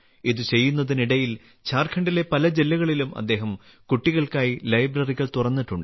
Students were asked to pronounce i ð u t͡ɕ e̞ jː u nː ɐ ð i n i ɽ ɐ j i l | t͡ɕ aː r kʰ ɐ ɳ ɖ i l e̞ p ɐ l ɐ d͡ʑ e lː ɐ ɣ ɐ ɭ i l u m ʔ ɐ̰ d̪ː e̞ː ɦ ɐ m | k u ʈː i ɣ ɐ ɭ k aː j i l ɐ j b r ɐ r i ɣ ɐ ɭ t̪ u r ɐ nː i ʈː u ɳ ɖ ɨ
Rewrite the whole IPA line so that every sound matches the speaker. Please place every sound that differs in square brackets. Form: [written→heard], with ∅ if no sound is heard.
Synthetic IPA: i ð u t͡ɕ e̞ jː u nː ɐ ð i n i ɽ ɐ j i l | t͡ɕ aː r kʰ ɐ ɳ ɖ i l e̞ p ɐ l ɐ d͡ʑ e lː ɐ ɣ ɐ ɭ i l u m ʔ ɐ̰ d̪ː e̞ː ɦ ɐ m | k u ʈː i ɣ ɐ ɭ k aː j i l ɐ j b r ɐ r i ɣ ɐ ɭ t̪ u r ɐ nː i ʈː u ɳ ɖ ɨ